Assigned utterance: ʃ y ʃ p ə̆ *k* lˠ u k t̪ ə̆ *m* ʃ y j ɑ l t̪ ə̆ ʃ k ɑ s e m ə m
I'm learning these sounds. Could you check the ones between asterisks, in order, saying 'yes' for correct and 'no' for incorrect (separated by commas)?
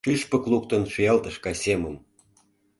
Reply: yes, no